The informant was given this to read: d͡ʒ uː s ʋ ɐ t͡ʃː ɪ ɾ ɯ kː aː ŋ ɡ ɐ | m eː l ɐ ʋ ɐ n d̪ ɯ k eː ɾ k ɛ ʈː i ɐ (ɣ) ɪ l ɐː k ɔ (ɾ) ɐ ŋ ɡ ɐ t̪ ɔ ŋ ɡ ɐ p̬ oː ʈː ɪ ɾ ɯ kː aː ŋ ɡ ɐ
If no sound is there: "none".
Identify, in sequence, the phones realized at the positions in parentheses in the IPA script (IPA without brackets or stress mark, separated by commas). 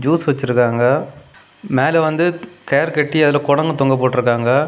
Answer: ð, ɽ